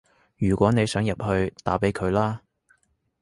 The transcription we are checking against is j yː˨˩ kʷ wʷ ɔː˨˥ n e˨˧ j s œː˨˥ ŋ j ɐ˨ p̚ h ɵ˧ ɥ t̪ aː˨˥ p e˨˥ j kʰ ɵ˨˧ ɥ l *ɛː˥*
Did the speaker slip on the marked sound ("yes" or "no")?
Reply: yes